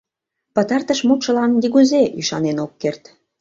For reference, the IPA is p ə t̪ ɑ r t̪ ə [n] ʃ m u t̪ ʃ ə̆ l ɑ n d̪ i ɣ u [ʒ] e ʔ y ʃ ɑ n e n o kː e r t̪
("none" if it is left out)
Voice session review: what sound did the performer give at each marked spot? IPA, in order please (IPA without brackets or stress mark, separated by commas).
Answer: none, z